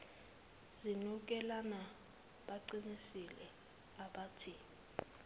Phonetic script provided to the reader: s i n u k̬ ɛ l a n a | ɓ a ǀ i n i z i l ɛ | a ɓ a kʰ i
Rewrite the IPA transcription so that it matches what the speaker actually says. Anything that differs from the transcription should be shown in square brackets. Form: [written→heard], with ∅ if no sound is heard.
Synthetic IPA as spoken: [s→z] i n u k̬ ɛ l a n a | ɓ a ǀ i n i [z→s] i l ɛ | a ɓ a [kʰ→tʰ] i